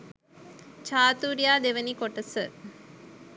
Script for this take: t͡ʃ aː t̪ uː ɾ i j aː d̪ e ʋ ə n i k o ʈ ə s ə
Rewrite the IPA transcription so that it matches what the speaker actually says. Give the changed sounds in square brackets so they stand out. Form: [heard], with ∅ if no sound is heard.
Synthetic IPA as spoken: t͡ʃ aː t̪ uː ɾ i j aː d̪ e ʋ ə n i k o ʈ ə s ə